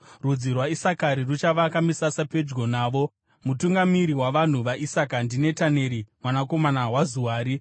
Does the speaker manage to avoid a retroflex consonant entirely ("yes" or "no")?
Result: yes